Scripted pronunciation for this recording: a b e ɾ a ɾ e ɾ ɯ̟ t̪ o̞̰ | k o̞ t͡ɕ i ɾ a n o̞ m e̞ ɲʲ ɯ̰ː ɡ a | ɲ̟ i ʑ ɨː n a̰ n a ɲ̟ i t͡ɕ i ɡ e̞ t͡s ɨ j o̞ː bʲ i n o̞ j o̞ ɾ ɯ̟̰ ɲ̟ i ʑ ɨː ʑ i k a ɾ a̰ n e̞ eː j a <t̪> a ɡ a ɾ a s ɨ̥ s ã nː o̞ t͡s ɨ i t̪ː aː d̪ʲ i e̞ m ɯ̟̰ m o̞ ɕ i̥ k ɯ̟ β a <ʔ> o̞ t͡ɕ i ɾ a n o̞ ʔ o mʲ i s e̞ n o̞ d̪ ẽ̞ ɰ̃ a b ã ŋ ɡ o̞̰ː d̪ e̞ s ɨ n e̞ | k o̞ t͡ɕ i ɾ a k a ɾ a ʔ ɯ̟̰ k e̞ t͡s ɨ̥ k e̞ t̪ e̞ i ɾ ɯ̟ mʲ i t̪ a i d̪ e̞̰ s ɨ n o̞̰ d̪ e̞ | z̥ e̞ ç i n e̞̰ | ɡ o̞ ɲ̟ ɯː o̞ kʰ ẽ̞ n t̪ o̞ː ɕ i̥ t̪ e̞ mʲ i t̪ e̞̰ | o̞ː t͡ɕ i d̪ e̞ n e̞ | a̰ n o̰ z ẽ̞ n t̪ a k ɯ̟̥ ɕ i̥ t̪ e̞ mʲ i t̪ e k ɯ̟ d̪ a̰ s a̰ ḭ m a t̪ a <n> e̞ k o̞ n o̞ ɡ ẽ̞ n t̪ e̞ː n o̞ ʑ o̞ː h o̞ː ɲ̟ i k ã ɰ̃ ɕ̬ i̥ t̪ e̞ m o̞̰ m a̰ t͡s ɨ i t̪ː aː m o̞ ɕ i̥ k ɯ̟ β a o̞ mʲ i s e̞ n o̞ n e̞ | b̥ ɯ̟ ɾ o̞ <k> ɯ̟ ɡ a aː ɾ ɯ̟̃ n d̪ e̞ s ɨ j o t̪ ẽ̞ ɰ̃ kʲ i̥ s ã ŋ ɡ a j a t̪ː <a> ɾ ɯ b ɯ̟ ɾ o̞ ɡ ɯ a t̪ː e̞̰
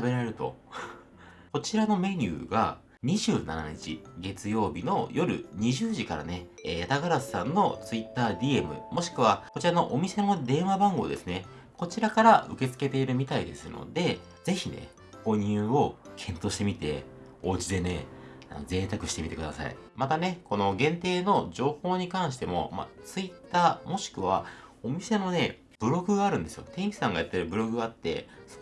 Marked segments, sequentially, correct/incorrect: correct, incorrect: k, correct, incorrect: ɡ, incorrect: e

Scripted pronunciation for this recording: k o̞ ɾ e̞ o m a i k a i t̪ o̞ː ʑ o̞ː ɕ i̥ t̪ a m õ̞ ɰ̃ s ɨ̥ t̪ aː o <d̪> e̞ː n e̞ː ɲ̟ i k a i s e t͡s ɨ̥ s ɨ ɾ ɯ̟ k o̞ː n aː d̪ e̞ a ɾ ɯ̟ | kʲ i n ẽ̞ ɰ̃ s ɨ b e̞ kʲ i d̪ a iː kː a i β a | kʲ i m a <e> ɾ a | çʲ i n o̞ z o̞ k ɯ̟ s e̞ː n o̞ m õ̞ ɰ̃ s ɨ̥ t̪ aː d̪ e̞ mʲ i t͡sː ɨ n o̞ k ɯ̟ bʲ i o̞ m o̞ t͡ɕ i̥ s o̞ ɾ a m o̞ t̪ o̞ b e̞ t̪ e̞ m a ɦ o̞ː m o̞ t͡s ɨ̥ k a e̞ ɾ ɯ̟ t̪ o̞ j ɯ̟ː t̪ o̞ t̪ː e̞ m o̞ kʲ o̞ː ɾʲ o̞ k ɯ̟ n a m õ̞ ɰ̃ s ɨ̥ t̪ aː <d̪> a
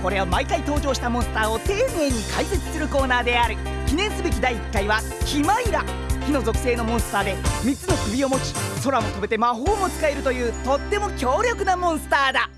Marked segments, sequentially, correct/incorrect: incorrect: t̪, incorrect: i, correct

